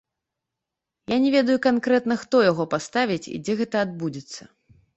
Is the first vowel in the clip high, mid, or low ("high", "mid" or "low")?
low